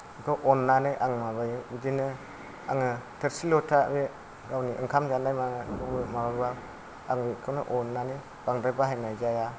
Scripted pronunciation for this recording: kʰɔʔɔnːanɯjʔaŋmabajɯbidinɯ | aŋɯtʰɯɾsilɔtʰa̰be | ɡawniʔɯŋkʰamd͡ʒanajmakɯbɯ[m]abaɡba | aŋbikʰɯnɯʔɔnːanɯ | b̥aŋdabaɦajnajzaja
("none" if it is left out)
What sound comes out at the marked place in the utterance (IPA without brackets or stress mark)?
m